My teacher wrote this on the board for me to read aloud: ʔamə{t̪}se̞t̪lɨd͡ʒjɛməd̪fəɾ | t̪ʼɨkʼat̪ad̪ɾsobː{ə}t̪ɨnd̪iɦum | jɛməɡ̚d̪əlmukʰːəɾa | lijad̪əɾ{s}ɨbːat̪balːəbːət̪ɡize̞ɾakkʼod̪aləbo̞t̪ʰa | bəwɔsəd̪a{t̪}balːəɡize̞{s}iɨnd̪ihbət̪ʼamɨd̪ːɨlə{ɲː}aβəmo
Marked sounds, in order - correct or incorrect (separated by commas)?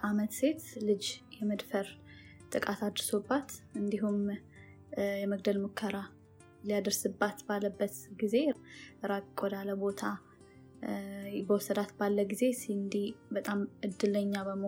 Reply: correct, incorrect, correct, correct, correct, correct